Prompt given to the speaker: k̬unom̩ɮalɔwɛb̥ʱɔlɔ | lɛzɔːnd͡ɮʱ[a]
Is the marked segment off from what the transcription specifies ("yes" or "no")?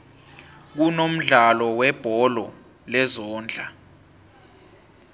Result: no